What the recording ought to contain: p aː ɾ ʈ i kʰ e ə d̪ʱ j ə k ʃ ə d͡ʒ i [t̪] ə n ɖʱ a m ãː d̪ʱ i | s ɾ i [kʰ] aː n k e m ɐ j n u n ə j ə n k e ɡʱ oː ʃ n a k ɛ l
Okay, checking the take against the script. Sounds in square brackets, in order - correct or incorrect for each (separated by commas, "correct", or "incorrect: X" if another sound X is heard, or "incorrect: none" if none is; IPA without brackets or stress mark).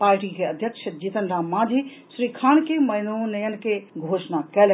correct, correct